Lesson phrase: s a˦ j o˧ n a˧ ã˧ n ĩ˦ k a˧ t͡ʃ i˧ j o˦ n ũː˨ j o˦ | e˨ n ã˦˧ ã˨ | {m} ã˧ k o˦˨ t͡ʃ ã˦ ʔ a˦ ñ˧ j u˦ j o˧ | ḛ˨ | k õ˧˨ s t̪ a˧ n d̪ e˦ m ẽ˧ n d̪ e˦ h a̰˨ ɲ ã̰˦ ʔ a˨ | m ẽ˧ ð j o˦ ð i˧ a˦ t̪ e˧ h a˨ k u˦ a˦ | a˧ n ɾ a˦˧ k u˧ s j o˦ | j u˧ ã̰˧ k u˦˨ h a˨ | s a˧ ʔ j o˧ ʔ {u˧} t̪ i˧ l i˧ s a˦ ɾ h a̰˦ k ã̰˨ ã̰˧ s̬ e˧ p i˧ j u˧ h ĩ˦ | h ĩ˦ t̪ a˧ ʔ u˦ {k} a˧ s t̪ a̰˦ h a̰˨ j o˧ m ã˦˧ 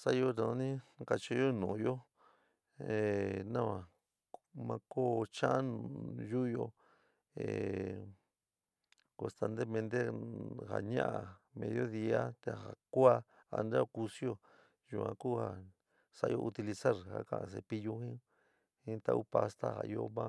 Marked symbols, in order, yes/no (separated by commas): yes, yes, no